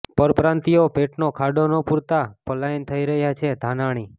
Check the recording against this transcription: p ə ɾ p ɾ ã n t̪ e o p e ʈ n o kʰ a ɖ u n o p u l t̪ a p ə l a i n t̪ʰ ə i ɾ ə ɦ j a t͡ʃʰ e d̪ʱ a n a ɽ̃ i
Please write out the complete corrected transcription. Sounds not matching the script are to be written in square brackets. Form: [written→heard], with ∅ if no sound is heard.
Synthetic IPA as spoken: p ə ɾ p ɾ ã n t̪ [e→i] o p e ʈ n o kʰ a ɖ [u→o] n o p u [l→ɾ] t̪ a p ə l a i n t̪ʰ ə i ɾ ə ɦ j a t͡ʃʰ e d̪ʱ a n a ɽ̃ i

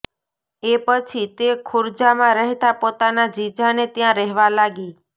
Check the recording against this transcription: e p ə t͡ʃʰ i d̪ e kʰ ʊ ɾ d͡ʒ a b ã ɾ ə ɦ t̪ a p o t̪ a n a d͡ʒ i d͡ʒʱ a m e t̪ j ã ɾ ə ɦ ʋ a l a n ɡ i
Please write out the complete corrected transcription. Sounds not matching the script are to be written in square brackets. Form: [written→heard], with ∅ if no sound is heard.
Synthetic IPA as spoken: e p ə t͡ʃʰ i [d̪→t̪] e kʰ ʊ ɾ d͡ʒ a [b→m] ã ɾ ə ɦ t̪ a p o t̪ a n a d͡ʒ i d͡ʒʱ a [m→n] e t̪ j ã ɾ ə ɦ ʋ a l a [n→∅] ɡ i

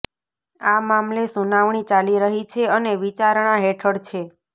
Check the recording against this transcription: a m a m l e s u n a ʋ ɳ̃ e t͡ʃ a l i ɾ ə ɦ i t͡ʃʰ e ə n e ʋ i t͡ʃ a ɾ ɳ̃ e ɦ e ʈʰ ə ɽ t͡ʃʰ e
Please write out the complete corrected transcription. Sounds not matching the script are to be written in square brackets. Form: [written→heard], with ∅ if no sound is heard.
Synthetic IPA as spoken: a m a m l e s u n a ʋ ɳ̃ [e→i] t͡ʃ a l i ɾ ə ɦ i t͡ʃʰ e ə n e ʋ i t͡ʃ a ɾ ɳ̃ [e→a] ɦ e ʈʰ ə ɽ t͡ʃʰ e

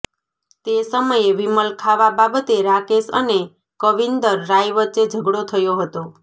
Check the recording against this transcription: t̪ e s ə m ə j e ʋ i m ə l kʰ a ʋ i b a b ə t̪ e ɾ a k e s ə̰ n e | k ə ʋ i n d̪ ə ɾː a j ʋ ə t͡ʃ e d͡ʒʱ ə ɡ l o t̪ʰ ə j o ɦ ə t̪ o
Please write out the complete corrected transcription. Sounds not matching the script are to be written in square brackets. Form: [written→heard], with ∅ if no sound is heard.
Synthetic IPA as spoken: t̪ e s ə m ə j e ʋ i m ə l kʰ a ʋ [i→a] b a b ə t̪ e ɾ a k e s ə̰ n e | k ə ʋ i n d̪ ə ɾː a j ʋ ə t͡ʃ e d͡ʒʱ ə ɡ [l→ɽ] o t̪ʰ ə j o ɦ ə t̪ o

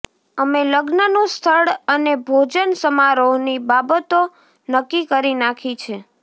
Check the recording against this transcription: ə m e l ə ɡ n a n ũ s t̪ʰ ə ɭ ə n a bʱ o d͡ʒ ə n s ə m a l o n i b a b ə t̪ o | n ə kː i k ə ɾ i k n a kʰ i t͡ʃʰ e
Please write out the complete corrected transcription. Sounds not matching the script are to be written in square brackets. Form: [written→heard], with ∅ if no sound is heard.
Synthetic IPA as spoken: ə m e l ə ɡ n [a→ə] n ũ s t̪ʰ ə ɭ ə n [a→e] bʱ o d͡ʒ ə n s ə m a [l→ɾ] o n i b a b ə t̪ o | n ə kː i k ə ɾ i [k→∅] n a kʰ i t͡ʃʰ e

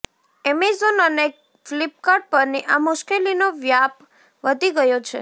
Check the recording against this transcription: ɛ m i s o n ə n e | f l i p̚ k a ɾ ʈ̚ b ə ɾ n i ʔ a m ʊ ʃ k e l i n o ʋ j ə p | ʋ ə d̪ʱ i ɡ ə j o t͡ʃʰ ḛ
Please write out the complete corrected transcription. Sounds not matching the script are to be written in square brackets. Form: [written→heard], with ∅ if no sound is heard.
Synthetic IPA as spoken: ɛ m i [s→z] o n ə n e | f l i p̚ k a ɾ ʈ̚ [b→p] ə ɾ n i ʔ a m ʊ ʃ k e l i n o ʋ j [ə→a] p | ʋ ə d̪ʱ i ɡ ə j o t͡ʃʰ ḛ

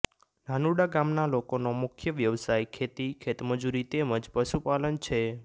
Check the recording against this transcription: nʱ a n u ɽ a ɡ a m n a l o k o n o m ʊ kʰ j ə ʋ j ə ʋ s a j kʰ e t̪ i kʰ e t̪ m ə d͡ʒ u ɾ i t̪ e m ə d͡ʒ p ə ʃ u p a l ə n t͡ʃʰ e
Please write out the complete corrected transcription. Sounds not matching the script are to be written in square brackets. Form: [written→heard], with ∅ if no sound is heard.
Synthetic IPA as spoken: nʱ a n u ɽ a ɡ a m n a l o k o n o m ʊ kʰ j ə ʋ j ə ʋ s a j kʰ e t̪ i kʰ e t̪ m ə d͡ʒ u ɾ i t̪ e m ə d͡ʒ p ə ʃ u p a l ə n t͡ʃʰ e

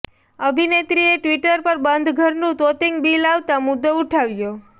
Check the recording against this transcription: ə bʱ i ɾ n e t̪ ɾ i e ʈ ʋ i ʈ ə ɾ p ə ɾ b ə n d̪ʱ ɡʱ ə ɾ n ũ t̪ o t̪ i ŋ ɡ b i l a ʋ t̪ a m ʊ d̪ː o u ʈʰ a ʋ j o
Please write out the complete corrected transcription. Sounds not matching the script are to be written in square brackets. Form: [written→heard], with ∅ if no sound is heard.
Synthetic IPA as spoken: ə bʱ i [ɾ→∅] n e t̪ ɾ i e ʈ ʋ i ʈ ə ɾ p ə ɾ b ə n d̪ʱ ɡʱ ə ɾ n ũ t̪ o t̪ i ŋ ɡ b i l a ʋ t̪ a m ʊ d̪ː o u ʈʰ a ʋ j o

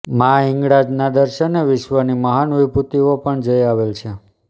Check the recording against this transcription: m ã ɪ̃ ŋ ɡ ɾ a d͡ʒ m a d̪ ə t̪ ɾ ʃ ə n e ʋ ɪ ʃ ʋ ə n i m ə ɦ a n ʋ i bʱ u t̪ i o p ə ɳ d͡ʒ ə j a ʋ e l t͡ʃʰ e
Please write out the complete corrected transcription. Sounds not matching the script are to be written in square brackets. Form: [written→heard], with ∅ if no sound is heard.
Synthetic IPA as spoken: m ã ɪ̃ ŋ ɡ [ɾ→ɽ] a d͡ʒ [m→n] a d̪ ə [t̪→∅] ɾ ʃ ə n e ʋ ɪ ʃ ʋ ə n i m ə ɦ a n ʋ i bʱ u t̪ i o p ə ɳ d͡ʒ ə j a ʋ e l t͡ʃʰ e

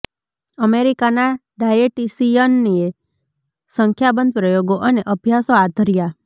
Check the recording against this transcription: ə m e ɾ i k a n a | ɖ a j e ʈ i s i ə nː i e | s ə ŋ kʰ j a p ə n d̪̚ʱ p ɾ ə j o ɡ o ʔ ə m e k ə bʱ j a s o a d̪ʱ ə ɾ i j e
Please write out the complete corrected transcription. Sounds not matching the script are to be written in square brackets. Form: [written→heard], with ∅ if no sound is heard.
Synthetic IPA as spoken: ə m e ɾ i k a n a | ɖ a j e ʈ i s i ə nː i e | s ə ŋ kʰ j a [p→b] ə n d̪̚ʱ p ɾ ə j o ɡ o ʔ ə [m→n] e [k→ʔ] ə bʱ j a s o a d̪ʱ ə ɾ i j [e→a]

